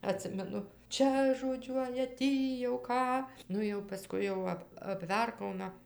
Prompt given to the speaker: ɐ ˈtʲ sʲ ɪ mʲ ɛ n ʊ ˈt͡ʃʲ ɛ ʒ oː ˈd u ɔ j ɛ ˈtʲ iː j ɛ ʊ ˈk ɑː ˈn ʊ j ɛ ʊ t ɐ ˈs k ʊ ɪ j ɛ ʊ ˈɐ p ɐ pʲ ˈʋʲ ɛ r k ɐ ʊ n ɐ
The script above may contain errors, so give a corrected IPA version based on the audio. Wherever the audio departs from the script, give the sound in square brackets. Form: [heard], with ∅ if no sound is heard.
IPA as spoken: ɐ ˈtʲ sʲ ɪ mʲ ɛ n ʊ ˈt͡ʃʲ ɛ ʒ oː [ˈd͡ʒʲ] u ɔ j ɛ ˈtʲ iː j ɛ ʊ ˈk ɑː ˈn ʊ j ɛ ʊ [p] ɐ ˈs k ʊ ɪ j ɛ ʊ ˈɐ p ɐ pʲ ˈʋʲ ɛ r k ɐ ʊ n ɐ